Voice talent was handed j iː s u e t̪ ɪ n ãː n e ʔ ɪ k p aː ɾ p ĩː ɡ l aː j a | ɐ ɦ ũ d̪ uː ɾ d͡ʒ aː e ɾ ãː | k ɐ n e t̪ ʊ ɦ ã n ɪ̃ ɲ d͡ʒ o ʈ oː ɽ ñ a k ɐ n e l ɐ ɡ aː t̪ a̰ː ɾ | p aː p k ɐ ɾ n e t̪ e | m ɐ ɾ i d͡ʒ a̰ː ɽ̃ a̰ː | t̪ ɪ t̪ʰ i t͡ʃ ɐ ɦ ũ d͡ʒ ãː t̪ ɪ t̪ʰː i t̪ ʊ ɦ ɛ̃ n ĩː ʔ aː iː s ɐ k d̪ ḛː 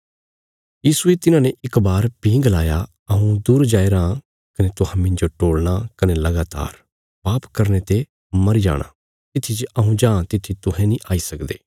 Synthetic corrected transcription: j iː s u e t̪ ɪ n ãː n e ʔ ɪ k b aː ɾ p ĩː ɡ l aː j a | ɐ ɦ ũ d̪ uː ɾ d͡ʒ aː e ɾ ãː | k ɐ n e t̪ ʊ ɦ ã m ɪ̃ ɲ d͡ʒ o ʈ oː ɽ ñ a k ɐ n e l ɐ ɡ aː t̪ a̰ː ɾ | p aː p k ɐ ɾ n e t̪ e | m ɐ ɾ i d͡ʒ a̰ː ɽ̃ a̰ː | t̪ ɪ t̪ʰ i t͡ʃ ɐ ɦ ũ d͡ʒ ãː t̪ ɪ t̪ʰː i t̪ ʊ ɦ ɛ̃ n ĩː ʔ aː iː s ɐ k d̪ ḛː

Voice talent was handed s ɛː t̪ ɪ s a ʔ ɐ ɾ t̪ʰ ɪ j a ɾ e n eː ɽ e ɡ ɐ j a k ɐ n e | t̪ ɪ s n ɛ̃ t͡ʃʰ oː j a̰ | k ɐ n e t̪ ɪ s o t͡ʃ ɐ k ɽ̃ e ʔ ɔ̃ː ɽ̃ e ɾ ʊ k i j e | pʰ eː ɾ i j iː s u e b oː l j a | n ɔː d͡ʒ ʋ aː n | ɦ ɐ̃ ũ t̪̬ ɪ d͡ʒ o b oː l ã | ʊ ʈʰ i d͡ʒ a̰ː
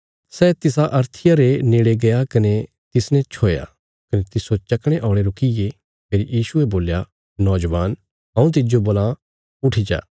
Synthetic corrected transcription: s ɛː t̪ ɪ s a ʔ ɐ ɾ t̪ʰ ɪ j a ɾ e n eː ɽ e ɡ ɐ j a k ɐ n e | t̪ ɪ s n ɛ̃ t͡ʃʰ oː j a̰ | k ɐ n e t̪ ɪ s o t͡ʃ ɐ k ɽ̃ e ʔ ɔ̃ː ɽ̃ e ɾ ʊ k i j e | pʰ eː ɾ i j iː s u e b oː l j a | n ɔː d͡ʒ ʋ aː n | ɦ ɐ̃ ũ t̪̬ ɪ d͡ʒ o b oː l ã | ʊ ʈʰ i d͡ʒ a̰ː

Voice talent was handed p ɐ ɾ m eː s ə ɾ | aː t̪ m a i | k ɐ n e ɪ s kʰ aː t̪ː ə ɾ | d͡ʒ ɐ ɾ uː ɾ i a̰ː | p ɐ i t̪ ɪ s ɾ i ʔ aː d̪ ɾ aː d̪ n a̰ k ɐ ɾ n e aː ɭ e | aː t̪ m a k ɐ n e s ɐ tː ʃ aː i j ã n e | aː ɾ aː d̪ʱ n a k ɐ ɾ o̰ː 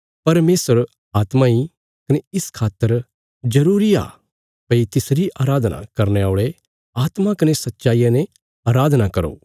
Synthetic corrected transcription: p ɐ ɾ m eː s ə ɾ | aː t̪ m a i | k ɐ n e ɪ s kʰ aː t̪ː ə ɾ | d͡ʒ ɐ ɾ uː ɾ i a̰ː | p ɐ i t̪ ɪ s ɾ i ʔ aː ɾ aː d̪ n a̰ k ɐ ɾ n e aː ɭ e | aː t̪ m a k ɐ n e s ɐ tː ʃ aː i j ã n e | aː ɾ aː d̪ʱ n a k ɐ ɾ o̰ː

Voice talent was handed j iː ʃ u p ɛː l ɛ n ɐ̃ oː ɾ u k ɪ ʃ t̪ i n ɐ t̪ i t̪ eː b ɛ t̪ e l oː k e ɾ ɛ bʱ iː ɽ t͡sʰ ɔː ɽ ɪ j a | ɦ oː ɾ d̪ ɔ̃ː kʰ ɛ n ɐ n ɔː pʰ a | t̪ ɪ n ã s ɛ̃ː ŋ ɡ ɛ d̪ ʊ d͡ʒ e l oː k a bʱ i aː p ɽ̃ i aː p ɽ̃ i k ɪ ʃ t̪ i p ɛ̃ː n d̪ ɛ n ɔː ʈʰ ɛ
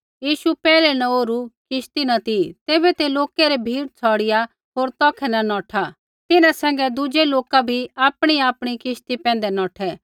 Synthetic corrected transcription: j iː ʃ u p ɛː l ɛ n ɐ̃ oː ɾ u k ɪ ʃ t̪ i n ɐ t̪ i t̪ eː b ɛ t̪ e l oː k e ɾ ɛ bʱ iː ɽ t͡sʰ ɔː ɽ ɪ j a | ɦ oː ɾ t̪ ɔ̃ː kʰ ɛ n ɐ n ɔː ʈʰ a | t̪ ɪ n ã s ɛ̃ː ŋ ɡ ɛ d̪ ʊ d͡ʒ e l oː k a bʱ i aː p ɽ̃ i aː p ɽ̃ i k ɪ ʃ t̪ i p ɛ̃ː n d̪ ɛ n ɔː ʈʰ ɛ

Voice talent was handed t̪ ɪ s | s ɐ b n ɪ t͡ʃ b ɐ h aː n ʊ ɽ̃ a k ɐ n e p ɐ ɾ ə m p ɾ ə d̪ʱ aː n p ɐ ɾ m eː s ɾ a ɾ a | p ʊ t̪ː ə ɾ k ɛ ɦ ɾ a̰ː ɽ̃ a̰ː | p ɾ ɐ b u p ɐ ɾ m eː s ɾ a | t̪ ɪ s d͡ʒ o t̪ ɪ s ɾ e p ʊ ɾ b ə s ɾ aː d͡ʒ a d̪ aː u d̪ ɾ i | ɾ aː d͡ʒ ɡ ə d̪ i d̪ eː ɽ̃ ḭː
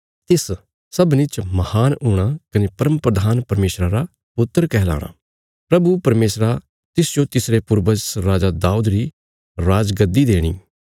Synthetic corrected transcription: t̪ ɪ s | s ɐ b n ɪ t͡ʃ m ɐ h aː n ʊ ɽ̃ a k ɐ n e p ɐ ɾ ə m p ɾ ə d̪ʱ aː n p ɐ ɾ m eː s ɾ a ɾ a | p ʊ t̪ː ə ɾ k ɛ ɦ l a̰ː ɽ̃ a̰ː | p ɾ ɐ b u p ɐ ɾ m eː s ɾ a | t̪ ɪ s d͡ʒ o t̪ ɪ s ɾ e p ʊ ɾ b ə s ɾ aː d͡ʒ a d̪ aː u d̪ ɾ i | ɾ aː d͡ʒ ɡ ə d̪ i d̪ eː ɽ̃ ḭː

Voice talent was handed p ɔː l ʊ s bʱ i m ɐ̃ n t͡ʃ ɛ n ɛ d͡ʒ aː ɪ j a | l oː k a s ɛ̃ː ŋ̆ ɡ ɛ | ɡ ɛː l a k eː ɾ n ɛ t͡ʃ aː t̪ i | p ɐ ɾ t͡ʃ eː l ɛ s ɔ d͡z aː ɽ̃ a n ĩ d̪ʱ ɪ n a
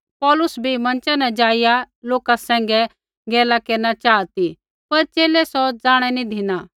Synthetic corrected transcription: p ɔː l ʊ s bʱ i m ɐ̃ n t͡ʃ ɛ n ɛ d͡ʒ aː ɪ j a | l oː k a s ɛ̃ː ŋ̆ ɡ ɛ | ɡ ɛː l a k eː ɾ n a t͡ʃ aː t̪ i | p ɐ ɾ t͡ʃ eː l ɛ s ɔ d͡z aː ɽ̃ ɛ n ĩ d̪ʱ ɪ n a

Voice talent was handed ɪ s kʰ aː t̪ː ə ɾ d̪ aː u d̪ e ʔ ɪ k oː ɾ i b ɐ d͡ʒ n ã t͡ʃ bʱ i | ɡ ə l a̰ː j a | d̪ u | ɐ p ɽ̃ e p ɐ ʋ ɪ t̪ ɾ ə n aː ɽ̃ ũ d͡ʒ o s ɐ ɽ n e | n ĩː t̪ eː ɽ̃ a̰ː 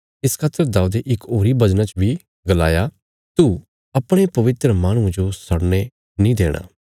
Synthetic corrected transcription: ɪ s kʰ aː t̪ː ə ɾ d̪ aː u d̪ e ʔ ɪ k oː ɾ i b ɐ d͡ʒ n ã t͡ʃ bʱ i | ɡ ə l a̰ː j a | t̪ u | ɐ p ɽ̃ e p ɐ ʋ ɪ t̪ ɾ ə m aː ɽ̃ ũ d͡ʒ o s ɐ ɽ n e | n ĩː d̪ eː ɽ̃ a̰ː

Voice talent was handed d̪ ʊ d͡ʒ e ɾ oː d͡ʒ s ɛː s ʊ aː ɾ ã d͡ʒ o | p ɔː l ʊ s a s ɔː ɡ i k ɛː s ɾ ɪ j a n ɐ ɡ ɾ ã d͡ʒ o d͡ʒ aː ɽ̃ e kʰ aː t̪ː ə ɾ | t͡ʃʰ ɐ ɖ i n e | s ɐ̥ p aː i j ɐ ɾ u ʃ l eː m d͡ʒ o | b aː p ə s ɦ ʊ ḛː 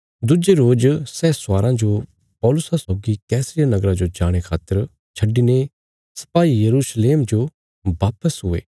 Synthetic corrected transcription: d̪ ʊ d͡ʒ e ɾ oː d͡ʒ s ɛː s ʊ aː ɾ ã d͡ʒ o | p ɔː l ʊ s a s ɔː ɡ i k ɛː s ɾ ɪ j a n ɐ ɡ ɾ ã d͡ʒ o d͡ʒ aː ɽ̃ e kʰ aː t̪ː ə ɾ | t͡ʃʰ ɐ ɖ i n e | s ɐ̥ p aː i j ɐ ɾ u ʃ l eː m d͡ʒ o | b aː p ə s ɦ ʊ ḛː

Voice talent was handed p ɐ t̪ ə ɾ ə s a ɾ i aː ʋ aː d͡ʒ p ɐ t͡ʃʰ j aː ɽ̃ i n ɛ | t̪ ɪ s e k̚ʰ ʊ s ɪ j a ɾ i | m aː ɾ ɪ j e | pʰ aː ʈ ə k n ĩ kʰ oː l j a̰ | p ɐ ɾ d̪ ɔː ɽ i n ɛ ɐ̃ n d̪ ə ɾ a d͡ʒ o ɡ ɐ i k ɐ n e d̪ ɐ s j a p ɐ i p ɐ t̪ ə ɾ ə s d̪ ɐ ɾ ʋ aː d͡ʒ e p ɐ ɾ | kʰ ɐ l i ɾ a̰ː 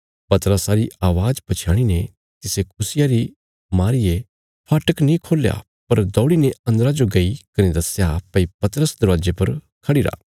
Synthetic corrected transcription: p ɐ t̪ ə ɾ ə s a ɾ i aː ʋ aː d͡ʒ p ɐ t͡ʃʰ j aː ɽ̃ i n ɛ | t̪ ɪ s e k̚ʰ ʊ s ɪ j a ɾ i | m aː ɾ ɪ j e | pʰ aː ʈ ə k n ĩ kʰ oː l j a̰ | p ɐ ɾ d̪ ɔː ɽ i n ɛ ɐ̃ n d̪ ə ɾ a d͡ʒ o ɡ ɐ i k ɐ n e d̪ ɐ s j a p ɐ i p ɐ t̪ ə ɾ ə s d̪ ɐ ɾ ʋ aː d͡ʒ e p ɐ ɾ | kʰ ɐ ɽ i ɾ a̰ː

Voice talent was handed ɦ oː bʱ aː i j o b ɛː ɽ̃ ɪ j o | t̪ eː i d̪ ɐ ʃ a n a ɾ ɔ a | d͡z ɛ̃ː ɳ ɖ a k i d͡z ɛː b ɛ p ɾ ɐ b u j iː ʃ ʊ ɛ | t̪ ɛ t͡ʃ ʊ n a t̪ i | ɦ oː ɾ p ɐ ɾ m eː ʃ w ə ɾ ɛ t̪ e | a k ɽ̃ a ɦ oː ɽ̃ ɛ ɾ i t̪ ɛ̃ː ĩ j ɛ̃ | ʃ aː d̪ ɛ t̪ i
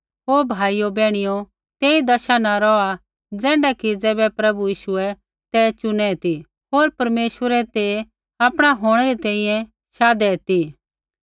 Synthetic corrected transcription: ɦ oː bʱ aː i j o b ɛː ɽ̃ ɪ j o | t̪ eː i d̪ ɐ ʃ a n a ɾ ɔ a | d͡z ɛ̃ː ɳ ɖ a k i d͡z ɛː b ɛ p ɾ ɐ b u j iː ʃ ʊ ɛ | t̪ ɛ t͡ʃ ʊ n ɛ t̪ i | ɦ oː ɾ p ɐ ɾ m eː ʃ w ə ɾ ɛ t̪ e | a p ɽ̃ a ɦ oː ɽ̃ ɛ ɾ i t̪ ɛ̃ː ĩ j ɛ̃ | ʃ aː d̪ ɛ t̪ i

